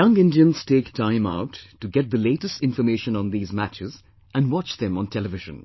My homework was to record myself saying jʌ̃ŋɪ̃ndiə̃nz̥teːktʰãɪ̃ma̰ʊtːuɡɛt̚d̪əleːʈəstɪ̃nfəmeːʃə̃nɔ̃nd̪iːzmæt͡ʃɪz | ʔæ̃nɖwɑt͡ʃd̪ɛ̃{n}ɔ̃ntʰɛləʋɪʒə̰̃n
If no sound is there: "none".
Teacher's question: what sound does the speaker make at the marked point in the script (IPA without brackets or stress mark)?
m